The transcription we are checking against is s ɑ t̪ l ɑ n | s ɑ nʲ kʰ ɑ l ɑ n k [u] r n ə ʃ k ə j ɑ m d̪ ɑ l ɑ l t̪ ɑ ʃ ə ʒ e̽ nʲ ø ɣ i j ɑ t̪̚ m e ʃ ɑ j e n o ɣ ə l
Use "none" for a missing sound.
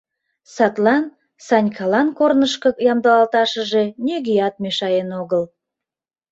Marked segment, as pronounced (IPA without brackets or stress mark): o